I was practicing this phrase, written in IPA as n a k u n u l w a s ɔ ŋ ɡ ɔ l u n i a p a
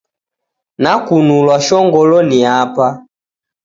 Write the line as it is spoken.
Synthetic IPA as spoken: n a k u n u l w a ʃ ɔ ŋ ɡ ɔ l ɔ n i a p a